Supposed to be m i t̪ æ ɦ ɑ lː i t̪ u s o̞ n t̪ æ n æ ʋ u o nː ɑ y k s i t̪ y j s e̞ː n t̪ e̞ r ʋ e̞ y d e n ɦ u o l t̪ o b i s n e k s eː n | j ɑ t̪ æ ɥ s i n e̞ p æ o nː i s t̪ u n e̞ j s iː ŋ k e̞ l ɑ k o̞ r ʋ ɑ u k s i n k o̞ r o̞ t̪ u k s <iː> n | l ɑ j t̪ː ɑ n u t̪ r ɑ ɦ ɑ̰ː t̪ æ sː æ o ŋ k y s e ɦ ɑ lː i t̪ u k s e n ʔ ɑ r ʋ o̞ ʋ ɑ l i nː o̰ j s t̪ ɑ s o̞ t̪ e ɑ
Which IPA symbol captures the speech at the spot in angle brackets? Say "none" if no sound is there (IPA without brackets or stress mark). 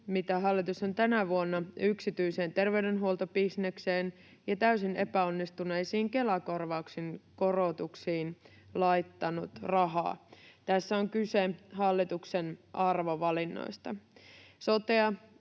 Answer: iː